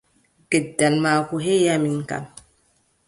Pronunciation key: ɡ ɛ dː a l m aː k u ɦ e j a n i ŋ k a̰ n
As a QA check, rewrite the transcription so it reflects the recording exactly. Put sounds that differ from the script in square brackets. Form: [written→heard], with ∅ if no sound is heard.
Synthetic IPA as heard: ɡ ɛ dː a l m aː k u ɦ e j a [n→m] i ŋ k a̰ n

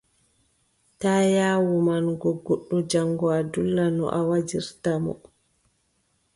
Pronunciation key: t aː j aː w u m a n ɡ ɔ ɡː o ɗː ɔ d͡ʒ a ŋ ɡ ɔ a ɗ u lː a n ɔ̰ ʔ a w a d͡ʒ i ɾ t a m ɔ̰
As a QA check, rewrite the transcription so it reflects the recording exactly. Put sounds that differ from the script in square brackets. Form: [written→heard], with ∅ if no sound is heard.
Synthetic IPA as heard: t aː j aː w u m a n ɡ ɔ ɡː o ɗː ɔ d͡ʒ a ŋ ɡ ɔ a [ɗ→d] u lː a n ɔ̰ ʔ a w a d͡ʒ i ɾ t a m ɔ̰

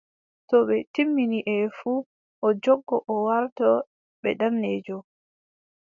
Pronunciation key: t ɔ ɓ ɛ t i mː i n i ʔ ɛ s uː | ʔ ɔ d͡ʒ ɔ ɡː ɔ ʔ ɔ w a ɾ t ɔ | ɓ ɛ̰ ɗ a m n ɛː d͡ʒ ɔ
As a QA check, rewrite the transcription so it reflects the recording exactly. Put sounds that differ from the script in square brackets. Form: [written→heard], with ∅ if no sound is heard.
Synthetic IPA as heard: t ɔ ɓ ɛ t i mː i n i ʔ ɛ [s→f] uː | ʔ ɔ d͡ʒ ɔ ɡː ɔ ʔ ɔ w a ɾ t ɔ | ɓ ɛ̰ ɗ a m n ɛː d͡ʒ ɔ

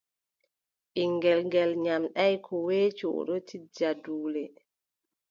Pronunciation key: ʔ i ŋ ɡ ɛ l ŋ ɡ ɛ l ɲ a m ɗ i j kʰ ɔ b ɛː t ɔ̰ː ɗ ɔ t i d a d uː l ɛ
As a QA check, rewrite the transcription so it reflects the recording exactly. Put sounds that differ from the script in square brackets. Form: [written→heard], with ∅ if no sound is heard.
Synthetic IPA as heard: ʔ i ŋ ɡ ɛ l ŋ ɡ ɛ l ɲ a m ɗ [i→a] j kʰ ɔ [b→w] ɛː [t→t͡ʃ] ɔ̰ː ɗ ɔ t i [d→d͡ʒ] a d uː l ɛ

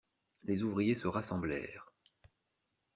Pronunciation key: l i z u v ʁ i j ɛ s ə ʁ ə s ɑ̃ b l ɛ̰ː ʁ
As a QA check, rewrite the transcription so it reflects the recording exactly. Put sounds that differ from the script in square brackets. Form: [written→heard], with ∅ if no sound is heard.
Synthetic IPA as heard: l [i→e] z u v ʁ i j [ɛ→e] s ə ʁ [ə→a] s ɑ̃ b l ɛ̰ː ʁ

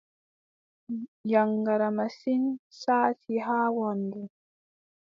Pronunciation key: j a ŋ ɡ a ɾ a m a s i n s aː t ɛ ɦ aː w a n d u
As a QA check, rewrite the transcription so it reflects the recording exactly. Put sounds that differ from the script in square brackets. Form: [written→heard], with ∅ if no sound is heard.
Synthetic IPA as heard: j a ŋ ɡ a ɾ a m a s i n s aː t [ɛ→i] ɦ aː w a n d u

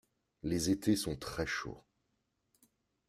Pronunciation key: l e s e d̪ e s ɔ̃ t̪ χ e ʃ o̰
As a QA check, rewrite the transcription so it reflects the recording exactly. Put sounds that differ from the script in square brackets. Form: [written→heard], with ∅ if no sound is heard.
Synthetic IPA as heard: l e [s→z] e [d̪→t̪] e s ɔ̃ t̪ χ [e→ɛ] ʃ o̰

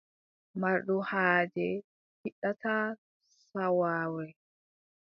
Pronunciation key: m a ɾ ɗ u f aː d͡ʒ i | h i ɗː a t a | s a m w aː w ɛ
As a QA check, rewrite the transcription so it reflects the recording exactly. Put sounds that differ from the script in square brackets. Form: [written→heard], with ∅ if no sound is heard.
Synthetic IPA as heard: m a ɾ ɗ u [f→h] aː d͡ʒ [i→ɛ] | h i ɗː a t a | s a [m→∅] w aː w ɛ

